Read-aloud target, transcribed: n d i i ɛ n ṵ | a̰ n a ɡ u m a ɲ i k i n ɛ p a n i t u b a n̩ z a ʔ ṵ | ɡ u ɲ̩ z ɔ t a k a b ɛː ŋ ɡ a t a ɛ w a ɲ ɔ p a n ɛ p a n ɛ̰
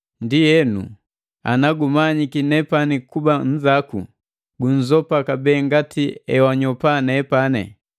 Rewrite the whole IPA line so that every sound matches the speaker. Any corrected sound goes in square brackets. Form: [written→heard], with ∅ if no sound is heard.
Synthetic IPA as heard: n d i [i→j] ɛ n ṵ | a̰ n a ɡ u m a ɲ i k i n ɛ p a n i [t→k] u b a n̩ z a [ʔ→k] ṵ | ɡ u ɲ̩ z ɔ [t→p] a k a b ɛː ŋ ɡ a t [a→i] ɛ w a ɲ ɔ p a n ɛ p a n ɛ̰

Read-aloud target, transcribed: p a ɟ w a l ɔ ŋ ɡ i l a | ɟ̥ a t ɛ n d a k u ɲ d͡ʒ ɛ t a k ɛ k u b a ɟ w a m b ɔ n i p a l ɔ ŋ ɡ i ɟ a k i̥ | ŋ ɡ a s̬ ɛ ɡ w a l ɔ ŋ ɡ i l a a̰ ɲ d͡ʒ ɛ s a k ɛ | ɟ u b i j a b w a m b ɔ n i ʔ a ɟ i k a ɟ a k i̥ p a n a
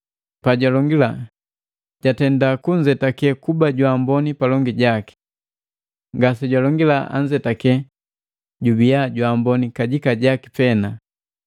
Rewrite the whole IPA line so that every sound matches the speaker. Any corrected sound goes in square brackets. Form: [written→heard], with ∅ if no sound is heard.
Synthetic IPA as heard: p a ɟ w a l ɔ ŋ ɡ i l a | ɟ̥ a t ɛ n d a k u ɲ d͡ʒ ɛ t a k ɛ k u b a ɟ w a m b ɔ n i p a l ɔ ŋ ɡ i ɟ a k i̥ | ŋ ɡ a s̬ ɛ [ɡ→ɟ] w a l ɔ ŋ ɡ i l a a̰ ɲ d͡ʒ ɛ [s→t] a k ɛ | ɟ u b i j a [b→ɟ] w a m b ɔ n i [ʔ→k] a ɟ i k a ɟ a k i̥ p [a→ɛ] n a

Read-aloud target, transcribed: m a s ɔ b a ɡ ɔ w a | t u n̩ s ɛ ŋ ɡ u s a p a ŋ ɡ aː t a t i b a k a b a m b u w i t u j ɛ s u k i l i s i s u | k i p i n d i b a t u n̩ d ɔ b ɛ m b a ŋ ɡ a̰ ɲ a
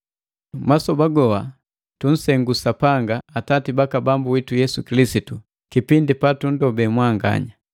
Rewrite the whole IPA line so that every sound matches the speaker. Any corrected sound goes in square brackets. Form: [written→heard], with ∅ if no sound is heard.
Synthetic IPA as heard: m a s ɔ b a ɡ ɔ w a | t u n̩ s ɛ ŋ ɡ u s a p a ŋ ɡ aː t a t i b a k a b a m b u w i t u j ɛ s u k i l i s i [s→t] u | k i p i n d i [b→p] a t u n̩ d ɔ b ɛ m [b→w] a ŋ ɡ a̰ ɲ a

